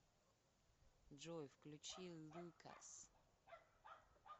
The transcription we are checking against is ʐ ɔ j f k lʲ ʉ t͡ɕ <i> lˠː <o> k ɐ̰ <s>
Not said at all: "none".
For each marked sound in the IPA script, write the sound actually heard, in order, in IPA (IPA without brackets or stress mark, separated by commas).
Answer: i, u, s